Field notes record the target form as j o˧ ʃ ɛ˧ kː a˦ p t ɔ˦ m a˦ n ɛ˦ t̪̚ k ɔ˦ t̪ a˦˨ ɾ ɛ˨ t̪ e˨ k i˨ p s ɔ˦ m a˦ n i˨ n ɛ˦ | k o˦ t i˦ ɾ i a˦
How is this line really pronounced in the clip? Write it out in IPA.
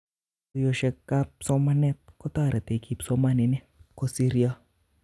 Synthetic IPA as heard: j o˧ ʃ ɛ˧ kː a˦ p s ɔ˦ m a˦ n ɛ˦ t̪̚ k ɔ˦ t̪ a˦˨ ɾ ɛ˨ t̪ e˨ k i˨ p s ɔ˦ m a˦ n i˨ n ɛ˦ | k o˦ s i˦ ɾ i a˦